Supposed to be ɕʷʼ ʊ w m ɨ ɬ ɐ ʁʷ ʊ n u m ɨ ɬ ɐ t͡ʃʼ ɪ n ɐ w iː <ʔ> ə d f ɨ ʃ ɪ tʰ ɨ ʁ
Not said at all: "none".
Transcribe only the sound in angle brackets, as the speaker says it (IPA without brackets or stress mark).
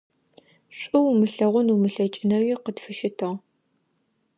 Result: q